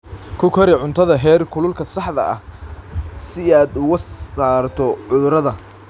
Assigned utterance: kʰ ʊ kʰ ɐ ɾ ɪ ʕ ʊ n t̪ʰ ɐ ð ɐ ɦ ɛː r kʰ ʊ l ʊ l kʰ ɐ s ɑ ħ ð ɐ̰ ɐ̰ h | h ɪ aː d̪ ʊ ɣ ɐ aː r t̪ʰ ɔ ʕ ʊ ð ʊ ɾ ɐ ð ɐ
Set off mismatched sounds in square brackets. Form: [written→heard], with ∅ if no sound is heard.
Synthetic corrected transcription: kʰ ʊ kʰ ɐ ɾ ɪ ʕ ʊ n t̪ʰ ɐ ð ɐ ɦ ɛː r kʰ ʊ l ʊ l kʰ ɐ s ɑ ħ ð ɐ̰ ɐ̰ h | [h→s] ɪ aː d̪ ʊ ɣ ɐ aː r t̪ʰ ɔ ʕ ʊ ð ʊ ɾ ɐ ð ɐ